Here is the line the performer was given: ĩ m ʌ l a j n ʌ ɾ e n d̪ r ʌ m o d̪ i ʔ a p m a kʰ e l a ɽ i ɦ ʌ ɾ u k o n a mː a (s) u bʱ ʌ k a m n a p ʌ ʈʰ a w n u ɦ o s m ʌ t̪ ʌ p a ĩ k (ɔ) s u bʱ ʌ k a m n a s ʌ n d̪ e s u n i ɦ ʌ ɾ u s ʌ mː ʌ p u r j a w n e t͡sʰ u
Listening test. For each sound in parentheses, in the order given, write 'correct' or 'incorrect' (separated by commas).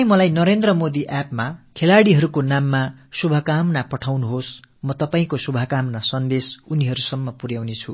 correct, incorrect